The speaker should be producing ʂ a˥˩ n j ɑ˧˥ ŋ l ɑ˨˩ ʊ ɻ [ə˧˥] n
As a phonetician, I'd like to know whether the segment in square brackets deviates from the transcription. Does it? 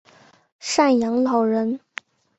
no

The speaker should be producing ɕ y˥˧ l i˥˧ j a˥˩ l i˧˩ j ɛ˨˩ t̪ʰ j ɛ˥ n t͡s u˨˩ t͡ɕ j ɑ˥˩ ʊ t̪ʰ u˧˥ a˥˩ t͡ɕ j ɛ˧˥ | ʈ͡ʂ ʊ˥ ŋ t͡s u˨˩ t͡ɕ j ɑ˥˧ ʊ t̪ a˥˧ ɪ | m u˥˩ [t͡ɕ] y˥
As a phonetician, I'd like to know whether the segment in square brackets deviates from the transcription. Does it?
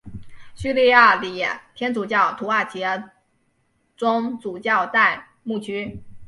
yes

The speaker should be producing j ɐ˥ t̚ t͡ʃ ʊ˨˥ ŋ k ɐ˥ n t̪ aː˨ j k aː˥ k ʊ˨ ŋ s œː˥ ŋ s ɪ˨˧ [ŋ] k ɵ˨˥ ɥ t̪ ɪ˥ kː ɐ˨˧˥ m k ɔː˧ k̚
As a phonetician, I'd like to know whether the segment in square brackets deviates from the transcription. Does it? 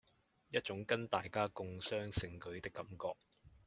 no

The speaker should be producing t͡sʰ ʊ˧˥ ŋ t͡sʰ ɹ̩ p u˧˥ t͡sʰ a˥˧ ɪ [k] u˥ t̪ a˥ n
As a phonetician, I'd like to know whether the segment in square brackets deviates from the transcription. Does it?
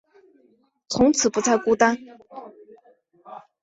no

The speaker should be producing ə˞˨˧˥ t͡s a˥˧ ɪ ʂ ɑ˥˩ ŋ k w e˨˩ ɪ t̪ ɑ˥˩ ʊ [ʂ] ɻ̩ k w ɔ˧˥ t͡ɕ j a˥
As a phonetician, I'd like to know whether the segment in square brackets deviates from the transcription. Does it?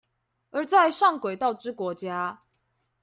yes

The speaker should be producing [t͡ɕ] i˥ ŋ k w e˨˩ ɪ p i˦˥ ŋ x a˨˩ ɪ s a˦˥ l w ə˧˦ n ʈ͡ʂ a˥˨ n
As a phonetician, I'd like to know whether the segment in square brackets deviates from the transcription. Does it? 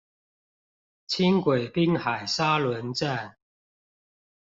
yes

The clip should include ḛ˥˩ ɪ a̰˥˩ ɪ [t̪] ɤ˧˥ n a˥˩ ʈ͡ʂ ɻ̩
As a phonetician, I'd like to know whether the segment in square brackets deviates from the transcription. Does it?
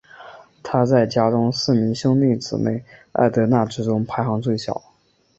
no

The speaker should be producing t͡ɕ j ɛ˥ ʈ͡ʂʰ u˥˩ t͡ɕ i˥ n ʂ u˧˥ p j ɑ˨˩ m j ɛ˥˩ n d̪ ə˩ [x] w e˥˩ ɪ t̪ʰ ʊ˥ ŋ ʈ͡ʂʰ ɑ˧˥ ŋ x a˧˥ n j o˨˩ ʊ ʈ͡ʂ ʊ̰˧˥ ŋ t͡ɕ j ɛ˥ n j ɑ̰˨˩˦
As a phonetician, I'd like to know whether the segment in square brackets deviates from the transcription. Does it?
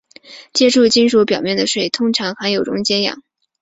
yes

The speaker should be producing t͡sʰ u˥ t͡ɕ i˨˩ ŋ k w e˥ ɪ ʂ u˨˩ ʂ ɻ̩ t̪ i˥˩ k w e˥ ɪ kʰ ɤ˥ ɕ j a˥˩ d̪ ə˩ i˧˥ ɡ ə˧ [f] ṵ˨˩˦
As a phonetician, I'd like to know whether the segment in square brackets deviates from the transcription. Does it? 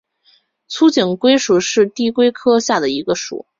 yes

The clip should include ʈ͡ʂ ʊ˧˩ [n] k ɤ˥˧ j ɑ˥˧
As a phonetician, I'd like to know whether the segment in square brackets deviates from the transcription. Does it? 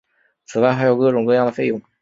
yes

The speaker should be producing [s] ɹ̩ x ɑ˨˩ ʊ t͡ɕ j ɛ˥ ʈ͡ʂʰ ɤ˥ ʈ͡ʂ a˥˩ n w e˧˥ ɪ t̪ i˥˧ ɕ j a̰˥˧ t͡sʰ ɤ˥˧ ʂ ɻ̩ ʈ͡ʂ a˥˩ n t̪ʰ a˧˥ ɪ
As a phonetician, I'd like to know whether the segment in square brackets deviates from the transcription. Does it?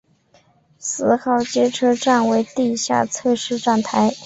no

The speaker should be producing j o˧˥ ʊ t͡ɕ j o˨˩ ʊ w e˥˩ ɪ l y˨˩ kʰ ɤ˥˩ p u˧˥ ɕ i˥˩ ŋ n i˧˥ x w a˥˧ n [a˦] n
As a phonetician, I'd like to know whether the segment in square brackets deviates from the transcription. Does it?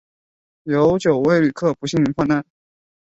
yes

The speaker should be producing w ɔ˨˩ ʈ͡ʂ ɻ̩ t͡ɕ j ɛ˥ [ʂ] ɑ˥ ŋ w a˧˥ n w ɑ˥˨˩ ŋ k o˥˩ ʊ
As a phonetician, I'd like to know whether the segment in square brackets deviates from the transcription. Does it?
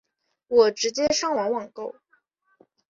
no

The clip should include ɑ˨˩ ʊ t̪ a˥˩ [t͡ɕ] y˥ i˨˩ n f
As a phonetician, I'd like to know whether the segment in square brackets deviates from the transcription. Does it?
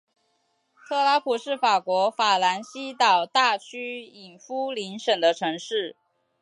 yes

